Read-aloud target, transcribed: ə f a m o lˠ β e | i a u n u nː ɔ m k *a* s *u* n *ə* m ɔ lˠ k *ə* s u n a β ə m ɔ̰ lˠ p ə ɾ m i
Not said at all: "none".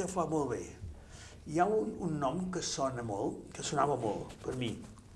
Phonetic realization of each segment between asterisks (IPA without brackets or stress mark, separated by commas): ə, ɔ, ə, ə